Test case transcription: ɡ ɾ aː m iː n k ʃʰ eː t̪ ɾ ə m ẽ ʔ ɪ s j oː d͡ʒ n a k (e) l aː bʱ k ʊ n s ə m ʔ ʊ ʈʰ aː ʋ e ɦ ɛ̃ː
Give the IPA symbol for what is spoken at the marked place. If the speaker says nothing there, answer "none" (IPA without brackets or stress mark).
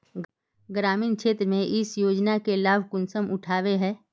e